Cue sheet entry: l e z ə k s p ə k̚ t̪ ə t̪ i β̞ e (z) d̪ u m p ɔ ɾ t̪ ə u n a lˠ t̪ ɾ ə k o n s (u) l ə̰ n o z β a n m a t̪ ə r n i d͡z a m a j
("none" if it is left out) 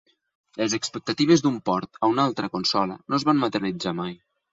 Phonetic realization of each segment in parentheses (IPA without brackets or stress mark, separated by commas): z, ɔ